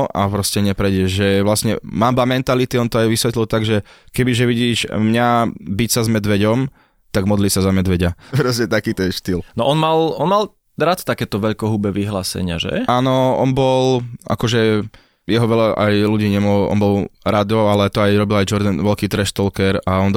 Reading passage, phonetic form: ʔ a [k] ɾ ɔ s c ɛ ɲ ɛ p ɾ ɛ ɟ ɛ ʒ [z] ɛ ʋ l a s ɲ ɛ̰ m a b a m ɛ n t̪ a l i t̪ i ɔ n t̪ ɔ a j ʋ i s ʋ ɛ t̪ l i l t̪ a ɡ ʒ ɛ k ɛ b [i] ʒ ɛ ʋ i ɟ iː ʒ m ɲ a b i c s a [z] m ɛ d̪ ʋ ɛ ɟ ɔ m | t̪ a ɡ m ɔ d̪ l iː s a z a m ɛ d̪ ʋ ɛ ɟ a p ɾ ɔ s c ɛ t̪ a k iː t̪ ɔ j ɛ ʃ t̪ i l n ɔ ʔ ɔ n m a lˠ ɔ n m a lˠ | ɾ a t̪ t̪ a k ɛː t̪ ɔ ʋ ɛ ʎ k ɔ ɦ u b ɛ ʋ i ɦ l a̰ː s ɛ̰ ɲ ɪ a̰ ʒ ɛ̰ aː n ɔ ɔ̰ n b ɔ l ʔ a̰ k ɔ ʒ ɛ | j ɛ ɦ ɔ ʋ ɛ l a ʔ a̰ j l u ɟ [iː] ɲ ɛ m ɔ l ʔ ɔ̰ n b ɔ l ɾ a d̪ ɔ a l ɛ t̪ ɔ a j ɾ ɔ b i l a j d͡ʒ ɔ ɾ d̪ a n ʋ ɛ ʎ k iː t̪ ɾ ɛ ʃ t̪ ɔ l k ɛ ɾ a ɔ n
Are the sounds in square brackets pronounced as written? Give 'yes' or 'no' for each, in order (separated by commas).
no, no, yes, yes, yes